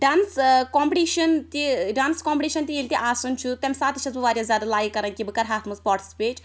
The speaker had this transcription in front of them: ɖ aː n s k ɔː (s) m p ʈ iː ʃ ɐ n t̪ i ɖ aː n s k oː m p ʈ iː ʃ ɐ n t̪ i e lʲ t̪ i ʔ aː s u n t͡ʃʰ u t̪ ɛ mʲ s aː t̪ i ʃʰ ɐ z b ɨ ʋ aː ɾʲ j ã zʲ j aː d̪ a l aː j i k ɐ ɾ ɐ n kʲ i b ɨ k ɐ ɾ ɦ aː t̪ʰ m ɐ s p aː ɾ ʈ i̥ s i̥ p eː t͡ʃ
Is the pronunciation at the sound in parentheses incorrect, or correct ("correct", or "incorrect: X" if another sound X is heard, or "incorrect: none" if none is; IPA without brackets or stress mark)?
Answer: incorrect: none